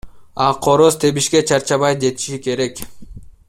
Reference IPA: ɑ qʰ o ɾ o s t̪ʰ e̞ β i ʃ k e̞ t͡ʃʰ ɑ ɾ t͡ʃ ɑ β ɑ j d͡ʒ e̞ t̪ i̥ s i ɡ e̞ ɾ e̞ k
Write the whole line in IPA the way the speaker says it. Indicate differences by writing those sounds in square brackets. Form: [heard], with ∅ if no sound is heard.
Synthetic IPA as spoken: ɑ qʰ o ɾ o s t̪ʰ e̞ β i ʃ k e̞ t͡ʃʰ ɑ ɾ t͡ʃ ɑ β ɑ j d͡ʒ e̞ t̪ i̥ [ʃ] i [k] e̞ ɾ e̞ k

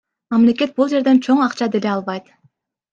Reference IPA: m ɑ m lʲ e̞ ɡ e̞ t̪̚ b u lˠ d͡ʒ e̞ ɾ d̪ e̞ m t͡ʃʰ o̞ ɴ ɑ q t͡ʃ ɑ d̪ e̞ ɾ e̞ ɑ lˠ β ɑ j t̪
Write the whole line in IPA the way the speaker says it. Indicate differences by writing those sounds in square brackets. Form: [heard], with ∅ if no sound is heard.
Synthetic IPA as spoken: m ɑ m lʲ e̞ [k] e̞ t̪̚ b u lˠ d͡ʒ e̞ ɾ d̪ e̞ [n] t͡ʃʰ o̞ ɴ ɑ q t͡ʃ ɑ d̪ e̞ [l] e̞ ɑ lˠ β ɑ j t̪

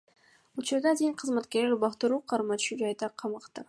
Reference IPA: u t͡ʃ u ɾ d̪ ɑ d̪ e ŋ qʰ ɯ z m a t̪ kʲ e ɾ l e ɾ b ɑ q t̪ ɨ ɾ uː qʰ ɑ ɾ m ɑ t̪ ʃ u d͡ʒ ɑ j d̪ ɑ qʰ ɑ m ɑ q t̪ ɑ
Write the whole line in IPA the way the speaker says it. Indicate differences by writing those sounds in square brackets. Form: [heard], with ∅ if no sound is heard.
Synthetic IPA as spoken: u t͡ʃ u ɾ d̪ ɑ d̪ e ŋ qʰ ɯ z m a t̪ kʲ e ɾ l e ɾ b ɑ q t̪ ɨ ɾ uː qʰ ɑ ɾ m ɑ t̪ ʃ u d͡ʒ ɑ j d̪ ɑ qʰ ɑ m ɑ q t̪ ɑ

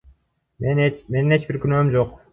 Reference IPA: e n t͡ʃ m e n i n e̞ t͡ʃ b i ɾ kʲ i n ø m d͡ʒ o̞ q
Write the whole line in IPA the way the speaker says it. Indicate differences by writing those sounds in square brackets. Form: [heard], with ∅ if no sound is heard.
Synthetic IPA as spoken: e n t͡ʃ m e n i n e̞ t͡ʃ b i ɾ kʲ [y] n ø m d͡ʒ o̞ q

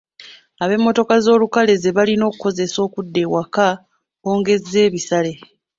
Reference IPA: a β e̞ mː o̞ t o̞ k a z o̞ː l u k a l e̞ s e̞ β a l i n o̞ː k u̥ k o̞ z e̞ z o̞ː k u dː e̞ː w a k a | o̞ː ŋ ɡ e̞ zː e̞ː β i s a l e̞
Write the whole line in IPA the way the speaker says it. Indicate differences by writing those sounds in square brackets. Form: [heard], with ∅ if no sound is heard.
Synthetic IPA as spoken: a β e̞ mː o̞ t o̞ k a z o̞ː l u k a l e̞ [z] e̞ β a l i n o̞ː k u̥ k o̞ z e̞ [s] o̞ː k u dː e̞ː w a k a | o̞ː ŋ ɡ e̞ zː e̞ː β i s a l e̞

